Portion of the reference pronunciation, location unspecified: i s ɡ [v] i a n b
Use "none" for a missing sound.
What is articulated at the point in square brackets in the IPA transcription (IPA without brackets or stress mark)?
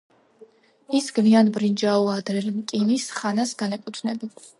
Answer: v